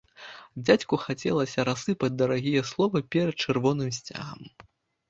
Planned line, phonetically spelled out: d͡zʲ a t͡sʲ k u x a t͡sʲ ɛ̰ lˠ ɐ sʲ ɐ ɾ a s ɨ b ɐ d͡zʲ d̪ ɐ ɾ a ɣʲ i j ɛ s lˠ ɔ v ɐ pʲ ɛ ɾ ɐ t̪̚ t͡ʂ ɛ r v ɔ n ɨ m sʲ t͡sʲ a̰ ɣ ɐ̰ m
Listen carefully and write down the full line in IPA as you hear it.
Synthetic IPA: d͡zʲ a t͡sʲ k u x a t͡sʲ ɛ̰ lˠ ɐ sʲ ɐ ɾ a s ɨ p ɐ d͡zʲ d̪ ɐ ɾ a ɣʲ i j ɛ s lˠ ɔ v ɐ pʲ ɛ ɾ ɐ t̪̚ t͡ʂ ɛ r v ɔ n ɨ m sʲ t͡sʲ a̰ ɣ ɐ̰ m